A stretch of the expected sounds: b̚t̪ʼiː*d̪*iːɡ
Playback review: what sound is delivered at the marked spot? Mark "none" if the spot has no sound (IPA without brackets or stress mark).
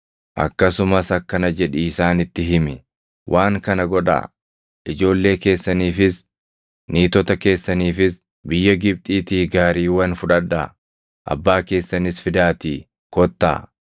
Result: t̪